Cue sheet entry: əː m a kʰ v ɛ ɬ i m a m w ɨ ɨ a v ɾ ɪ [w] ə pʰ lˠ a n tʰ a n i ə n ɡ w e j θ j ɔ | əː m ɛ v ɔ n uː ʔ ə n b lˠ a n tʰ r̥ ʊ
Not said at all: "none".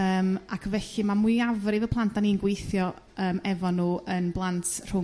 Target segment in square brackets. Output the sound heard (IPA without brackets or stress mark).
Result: v